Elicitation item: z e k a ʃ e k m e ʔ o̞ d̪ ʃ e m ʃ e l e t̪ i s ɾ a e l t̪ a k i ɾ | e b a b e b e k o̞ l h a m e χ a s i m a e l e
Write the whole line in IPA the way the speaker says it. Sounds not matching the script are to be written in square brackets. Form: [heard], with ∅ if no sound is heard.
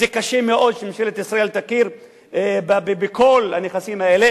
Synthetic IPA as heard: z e k a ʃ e [∅] m e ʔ o̞ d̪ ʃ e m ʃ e l e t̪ i s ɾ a e l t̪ a k i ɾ | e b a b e b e k o̞ l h a [n] e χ a s i m a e l e